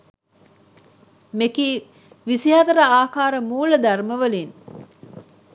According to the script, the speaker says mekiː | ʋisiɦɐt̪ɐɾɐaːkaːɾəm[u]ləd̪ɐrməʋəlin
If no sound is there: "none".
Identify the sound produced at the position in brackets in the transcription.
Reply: uː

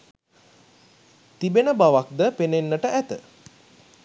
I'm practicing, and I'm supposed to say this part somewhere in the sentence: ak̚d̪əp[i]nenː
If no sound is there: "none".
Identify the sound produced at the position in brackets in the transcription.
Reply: e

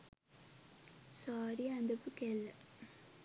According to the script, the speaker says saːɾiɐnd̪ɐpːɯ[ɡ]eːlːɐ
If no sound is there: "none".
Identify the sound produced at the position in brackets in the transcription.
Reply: k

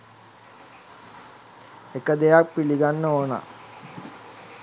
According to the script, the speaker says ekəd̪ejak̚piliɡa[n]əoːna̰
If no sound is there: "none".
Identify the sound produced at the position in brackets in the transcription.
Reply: nː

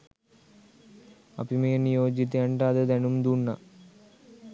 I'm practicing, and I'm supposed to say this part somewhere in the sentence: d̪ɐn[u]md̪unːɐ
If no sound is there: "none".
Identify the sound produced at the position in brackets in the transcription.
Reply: u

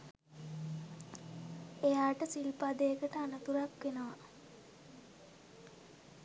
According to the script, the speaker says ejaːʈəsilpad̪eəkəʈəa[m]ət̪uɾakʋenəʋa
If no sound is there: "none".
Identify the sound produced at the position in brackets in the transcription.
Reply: n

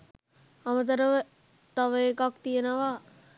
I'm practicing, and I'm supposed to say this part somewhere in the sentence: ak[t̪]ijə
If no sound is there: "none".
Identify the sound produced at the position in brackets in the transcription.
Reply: t̪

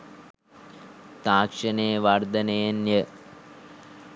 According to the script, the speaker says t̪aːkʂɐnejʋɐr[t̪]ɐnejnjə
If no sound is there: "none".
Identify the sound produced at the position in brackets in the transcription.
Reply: d̪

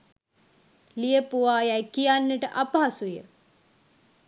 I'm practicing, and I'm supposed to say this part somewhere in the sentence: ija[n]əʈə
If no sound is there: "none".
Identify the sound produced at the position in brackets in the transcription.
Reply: nː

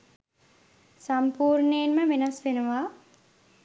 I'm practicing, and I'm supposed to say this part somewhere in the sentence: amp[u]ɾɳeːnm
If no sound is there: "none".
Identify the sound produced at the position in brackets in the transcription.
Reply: uː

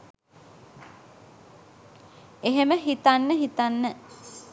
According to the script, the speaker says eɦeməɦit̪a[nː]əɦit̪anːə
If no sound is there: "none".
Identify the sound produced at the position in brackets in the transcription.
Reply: nː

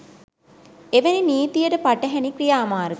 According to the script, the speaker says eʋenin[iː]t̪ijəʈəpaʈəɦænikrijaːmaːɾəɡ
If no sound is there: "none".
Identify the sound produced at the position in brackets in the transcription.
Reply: iː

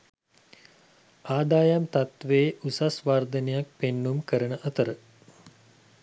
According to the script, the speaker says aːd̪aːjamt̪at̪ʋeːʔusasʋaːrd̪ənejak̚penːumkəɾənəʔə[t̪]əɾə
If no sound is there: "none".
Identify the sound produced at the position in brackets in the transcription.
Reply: t̪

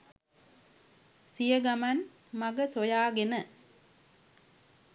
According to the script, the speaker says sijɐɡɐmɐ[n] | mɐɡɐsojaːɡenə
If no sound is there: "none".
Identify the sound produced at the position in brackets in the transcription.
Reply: n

